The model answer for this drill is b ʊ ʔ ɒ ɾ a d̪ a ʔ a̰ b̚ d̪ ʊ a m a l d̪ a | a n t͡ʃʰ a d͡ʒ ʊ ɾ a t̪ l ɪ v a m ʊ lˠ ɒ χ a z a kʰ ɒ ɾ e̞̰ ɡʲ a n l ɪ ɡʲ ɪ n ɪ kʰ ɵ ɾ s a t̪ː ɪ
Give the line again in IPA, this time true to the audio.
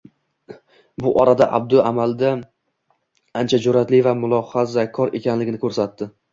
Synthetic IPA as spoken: b ʊ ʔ ɒ ɾ a d̪ a ʔ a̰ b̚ d̪ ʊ a m a l d̪ a | a n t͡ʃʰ a d͡ʒ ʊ ɾ a t̪ l ɪ v a m ʊ lˠ ɒ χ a z a kʰ ɒ ɾ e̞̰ kʲ a n l ɪ ɡʲ ɪ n ɪ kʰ ɵ ɾ s a t̪ː ɪ